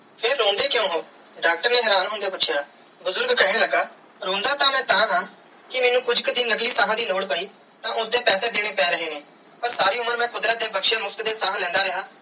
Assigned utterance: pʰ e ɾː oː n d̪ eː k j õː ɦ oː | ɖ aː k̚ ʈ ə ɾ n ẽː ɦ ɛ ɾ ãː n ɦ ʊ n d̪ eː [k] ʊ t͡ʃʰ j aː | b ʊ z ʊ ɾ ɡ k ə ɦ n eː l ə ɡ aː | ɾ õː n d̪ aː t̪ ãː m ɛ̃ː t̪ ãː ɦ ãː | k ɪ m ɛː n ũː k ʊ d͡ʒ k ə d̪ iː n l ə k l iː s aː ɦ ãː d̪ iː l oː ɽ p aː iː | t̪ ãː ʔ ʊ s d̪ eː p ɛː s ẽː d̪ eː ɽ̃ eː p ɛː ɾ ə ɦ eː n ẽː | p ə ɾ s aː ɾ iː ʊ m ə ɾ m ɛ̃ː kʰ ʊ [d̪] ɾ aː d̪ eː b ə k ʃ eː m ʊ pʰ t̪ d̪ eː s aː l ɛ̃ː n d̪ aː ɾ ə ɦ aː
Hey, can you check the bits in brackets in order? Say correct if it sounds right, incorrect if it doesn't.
incorrect: p, correct

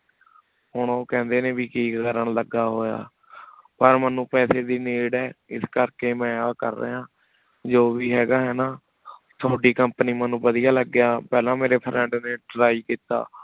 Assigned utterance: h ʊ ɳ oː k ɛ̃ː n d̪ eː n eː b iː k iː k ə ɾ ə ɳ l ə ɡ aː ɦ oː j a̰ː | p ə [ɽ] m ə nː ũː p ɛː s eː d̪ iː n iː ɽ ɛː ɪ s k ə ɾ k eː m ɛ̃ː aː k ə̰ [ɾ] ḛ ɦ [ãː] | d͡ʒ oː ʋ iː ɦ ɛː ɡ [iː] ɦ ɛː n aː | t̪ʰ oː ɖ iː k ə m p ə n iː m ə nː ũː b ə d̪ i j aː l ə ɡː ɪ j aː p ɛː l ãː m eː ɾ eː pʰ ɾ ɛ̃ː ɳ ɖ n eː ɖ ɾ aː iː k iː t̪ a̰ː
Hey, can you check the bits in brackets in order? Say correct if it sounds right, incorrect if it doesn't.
incorrect: ɾ, incorrect: ɾː, correct, incorrect: aː

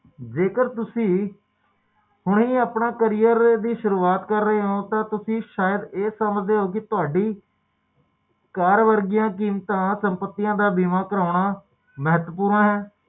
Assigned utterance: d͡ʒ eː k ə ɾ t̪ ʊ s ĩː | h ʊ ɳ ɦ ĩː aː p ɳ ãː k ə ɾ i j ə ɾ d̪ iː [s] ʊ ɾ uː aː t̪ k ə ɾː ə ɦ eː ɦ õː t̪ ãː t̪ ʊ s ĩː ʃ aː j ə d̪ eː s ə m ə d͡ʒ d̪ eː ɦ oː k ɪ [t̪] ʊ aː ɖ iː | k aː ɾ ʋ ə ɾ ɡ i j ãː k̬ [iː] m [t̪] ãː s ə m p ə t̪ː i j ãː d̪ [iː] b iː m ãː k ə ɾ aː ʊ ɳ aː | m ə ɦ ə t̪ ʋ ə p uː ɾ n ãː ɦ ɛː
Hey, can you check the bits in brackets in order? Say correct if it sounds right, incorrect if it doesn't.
incorrect: ʃ, correct, correct, correct, incorrect: aː

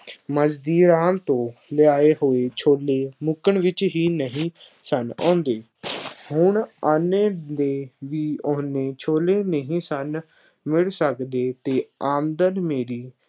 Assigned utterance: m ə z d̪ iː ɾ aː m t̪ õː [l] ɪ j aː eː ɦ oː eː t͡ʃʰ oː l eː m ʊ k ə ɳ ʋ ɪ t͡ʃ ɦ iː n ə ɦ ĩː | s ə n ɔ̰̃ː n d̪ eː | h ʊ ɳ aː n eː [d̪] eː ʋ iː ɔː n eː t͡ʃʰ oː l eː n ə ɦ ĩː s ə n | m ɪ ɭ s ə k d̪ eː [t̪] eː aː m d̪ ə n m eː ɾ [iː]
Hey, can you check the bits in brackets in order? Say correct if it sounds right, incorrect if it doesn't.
correct, correct, correct, correct

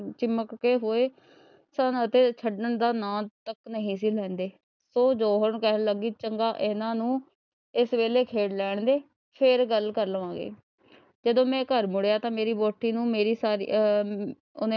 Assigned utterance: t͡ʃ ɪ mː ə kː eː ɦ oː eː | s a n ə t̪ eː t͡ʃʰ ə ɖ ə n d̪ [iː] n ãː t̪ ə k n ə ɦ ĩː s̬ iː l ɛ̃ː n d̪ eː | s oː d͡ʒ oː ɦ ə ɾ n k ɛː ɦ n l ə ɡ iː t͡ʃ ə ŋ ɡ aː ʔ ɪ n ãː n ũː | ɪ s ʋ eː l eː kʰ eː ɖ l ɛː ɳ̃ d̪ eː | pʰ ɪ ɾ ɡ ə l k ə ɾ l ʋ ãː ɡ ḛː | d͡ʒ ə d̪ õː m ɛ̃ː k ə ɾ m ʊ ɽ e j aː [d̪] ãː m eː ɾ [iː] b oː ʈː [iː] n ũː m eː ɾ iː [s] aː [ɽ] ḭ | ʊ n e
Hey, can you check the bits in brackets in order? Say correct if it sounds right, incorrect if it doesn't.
incorrect: aː, incorrect: t̪, correct, correct, correct, incorrect: ɾ

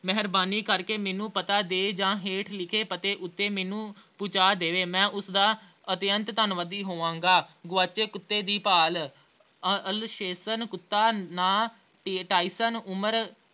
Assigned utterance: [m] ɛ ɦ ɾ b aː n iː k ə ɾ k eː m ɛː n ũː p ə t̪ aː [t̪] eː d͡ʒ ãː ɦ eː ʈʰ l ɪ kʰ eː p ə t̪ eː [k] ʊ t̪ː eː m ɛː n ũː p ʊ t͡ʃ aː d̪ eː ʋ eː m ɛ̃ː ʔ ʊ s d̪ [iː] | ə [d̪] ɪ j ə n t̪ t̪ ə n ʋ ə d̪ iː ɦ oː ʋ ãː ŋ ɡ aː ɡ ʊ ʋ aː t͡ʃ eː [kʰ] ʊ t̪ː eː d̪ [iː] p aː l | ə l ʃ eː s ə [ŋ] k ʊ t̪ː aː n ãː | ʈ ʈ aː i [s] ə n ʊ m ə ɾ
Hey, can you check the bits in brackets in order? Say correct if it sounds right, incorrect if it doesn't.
correct, incorrect: d̪, incorrect: ʔ, incorrect: aː, incorrect: t̪, incorrect: k, correct, incorrect: n, correct

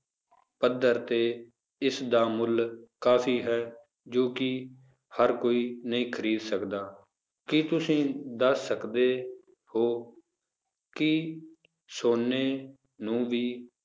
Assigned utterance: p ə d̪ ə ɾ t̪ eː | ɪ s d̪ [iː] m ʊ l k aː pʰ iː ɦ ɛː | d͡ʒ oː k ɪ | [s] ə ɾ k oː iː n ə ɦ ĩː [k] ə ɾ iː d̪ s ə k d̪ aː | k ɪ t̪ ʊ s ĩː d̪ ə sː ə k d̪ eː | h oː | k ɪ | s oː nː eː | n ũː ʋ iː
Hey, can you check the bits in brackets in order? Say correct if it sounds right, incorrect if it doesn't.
incorrect: aː, incorrect: h, incorrect: kʰ

